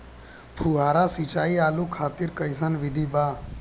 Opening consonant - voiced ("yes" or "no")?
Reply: no